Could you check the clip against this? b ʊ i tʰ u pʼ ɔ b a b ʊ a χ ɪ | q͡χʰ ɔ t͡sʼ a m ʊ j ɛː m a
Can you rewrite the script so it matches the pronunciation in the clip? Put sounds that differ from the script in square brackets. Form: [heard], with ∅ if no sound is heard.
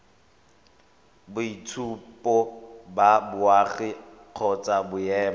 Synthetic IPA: b ʊ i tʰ u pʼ ɔ b a b ʊ a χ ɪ | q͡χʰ ɔ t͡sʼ a [b] ʊ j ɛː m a